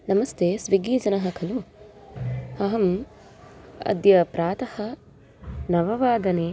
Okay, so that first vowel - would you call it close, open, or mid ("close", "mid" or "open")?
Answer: open